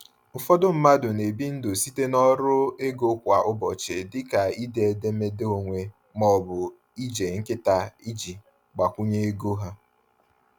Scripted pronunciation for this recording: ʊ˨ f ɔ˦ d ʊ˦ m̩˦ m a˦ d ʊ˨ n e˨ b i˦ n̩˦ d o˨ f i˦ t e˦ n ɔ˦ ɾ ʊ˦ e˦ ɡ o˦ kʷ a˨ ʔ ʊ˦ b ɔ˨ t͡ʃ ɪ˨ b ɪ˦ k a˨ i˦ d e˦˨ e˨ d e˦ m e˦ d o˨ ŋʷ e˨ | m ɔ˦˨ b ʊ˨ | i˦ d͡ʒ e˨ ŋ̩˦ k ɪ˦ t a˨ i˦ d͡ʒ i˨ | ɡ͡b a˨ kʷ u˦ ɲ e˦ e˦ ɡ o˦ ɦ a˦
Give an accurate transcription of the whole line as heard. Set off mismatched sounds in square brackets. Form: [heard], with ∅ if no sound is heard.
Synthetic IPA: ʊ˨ f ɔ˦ d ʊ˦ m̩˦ m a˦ d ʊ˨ n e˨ b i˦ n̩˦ d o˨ [s] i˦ t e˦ n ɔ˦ ɾ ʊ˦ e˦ ɡ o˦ kʷ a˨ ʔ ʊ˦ b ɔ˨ t͡ʃ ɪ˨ [d] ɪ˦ k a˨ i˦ d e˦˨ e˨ d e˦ m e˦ d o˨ ŋʷ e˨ | m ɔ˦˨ b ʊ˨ | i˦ d͡ʒ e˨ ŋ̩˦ k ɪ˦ t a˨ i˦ d͡ʒ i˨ | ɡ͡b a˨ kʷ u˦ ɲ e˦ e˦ ɡ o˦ ɦ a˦